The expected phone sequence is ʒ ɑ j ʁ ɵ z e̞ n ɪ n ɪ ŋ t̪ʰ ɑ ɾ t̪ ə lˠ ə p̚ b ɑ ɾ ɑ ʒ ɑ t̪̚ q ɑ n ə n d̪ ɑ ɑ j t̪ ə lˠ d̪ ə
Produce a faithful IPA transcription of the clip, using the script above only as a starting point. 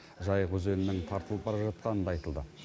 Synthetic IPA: ʒ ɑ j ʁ ɵ z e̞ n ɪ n ɪ ŋ t̪ʰ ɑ ɾ t̪ ə lˠ ə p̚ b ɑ ɾ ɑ ʒ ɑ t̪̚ q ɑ n ə n d̪ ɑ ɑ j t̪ ə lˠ d̪ ə